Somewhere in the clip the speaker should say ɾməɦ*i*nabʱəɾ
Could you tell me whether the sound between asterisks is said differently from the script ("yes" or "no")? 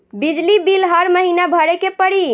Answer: no